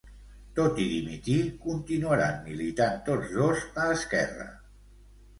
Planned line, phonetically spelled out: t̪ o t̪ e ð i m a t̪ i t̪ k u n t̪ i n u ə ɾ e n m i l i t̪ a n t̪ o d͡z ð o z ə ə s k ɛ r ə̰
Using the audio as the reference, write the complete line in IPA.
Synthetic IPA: t̪ o t̪ i ð i m i t̪ i k u n t̪ i n u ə ɾ a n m i l i t̪ a n t̪ o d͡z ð o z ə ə s k ɛ r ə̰